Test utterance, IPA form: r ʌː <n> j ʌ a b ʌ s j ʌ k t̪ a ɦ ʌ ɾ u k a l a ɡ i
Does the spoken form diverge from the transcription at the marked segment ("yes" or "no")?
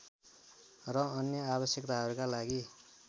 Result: no